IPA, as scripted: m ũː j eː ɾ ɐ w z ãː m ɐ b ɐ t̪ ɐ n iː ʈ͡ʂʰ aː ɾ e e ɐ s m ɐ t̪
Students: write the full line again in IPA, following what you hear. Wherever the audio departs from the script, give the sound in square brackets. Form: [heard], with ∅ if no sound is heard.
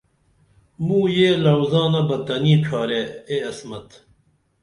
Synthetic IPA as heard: m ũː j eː [l] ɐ w z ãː [n] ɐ b ɐ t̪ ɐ n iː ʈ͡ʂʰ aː ɾ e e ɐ s m ɐ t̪